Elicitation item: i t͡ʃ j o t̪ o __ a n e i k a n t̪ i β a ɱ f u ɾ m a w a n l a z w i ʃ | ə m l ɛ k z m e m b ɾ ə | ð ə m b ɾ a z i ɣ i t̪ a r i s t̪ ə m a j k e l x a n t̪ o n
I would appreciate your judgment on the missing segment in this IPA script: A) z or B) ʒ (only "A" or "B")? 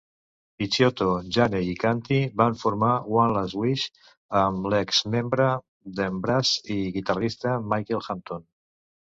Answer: B